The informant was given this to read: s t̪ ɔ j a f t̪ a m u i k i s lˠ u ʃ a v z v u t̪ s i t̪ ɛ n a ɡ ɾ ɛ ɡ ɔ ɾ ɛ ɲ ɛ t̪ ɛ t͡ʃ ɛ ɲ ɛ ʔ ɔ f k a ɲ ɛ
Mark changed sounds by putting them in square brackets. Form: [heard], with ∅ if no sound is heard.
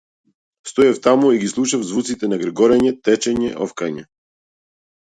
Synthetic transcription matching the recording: s t̪ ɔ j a f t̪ a m u i [ɡ] i s lˠ u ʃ a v z v u t̪ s i t̪ ɛ n a ɡ ɾ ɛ ɡ ɔ ɾ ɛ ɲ ɛ t̪ ɛ t͡ʃ ɛ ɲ ɛ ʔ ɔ f k a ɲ ɛ

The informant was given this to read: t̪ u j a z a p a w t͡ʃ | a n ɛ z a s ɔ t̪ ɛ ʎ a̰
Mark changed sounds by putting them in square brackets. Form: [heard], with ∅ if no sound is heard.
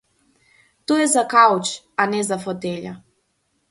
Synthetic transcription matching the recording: t̪ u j [ɛ] z a [k] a w t͡ʃ | a n ɛ z a [f] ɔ t̪ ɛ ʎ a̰

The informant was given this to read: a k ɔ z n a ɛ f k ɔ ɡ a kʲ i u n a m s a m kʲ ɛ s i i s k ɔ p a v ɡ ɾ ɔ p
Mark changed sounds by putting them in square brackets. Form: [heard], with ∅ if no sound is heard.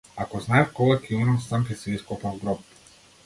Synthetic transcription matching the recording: a k ɔ z n a ɛ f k ɔ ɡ a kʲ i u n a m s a m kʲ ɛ s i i s k ɔ p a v ɡ ɾ ɔ p

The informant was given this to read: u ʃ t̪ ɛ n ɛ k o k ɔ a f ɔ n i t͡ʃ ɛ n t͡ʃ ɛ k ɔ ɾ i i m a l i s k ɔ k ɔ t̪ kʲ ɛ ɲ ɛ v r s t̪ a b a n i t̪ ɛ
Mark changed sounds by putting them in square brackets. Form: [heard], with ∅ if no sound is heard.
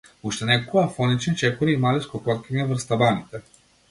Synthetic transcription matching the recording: u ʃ t̪ ɛ n ɛ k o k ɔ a f ɔ n i t͡ʃ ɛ n t͡ʃ ɛ k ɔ ɾ i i m a l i s k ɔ k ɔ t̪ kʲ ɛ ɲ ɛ v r s t̪ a b a n i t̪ ɛ

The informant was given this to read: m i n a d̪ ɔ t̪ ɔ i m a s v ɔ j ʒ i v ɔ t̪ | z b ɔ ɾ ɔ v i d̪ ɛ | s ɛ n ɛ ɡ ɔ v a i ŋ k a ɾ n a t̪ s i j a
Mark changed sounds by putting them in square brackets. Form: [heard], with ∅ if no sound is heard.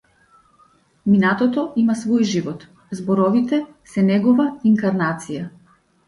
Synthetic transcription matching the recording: m i n a [t̪] ɔ t̪ ɔ i m a s v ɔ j ʒ i v ɔ t̪ | z b ɔ ɾ ɔ v i [t̪] ɛ | s ɛ n ɛ ɡ ɔ v a i ŋ k a ɾ n a t̪ s i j a

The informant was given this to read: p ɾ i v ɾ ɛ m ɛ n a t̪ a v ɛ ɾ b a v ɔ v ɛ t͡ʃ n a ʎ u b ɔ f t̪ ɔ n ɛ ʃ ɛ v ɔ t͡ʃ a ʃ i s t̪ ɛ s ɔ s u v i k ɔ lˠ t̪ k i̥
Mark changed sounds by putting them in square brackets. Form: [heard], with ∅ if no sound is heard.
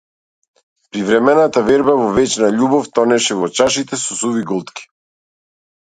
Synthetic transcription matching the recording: p ɾ i v ɾ ɛ m ɛ n a t̪ a v ɛ ɾ b a v ɔ v ɛ t͡ʃ n a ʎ u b ɔ f t̪ ɔ n ɛ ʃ ɛ v ɔ t͡ʃ a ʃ i [∅] t̪ ɛ s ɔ s u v i [ɡ] ɔ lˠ t̪ k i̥

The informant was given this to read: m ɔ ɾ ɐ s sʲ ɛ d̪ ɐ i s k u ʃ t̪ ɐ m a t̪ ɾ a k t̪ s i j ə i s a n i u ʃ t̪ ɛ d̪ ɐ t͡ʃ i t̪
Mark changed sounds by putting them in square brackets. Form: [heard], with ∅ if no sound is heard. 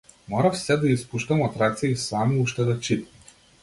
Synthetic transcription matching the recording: m ɔ ɾ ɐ [f] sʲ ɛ d̪ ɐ i s [p] u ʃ t̪ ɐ m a t̪ ɾ a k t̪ s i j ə i s a [m] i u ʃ t̪ ɛ d̪ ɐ t͡ʃ i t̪

